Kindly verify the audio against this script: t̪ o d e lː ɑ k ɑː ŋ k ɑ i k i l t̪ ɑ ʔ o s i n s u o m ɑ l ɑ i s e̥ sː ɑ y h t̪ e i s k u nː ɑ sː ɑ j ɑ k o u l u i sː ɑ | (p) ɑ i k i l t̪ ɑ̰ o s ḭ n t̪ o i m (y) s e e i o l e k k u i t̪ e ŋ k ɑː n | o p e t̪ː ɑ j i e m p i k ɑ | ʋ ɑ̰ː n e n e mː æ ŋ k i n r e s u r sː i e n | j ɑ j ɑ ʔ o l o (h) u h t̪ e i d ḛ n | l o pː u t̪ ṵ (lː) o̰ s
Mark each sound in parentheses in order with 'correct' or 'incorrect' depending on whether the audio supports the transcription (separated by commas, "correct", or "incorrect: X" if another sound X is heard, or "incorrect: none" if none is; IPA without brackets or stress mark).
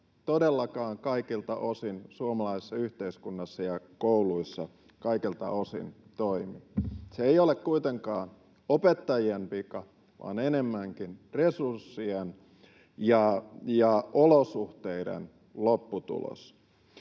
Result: incorrect: k, incorrect: i, incorrect: s, incorrect: l